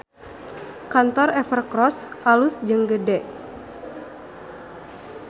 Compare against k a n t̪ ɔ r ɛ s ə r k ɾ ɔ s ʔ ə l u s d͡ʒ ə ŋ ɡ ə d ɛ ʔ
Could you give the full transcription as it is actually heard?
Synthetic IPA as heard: k a n t̪ ɔ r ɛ f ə r k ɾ ɔ s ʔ a l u s d͡ʒ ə ŋ ɡ ə d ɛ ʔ